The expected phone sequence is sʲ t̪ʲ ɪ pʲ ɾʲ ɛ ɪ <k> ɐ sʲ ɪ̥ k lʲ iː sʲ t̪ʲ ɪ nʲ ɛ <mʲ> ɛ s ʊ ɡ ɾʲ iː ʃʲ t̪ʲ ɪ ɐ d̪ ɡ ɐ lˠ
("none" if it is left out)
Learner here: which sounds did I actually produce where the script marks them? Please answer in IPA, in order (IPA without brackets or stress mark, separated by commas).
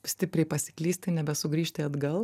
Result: p, bʲ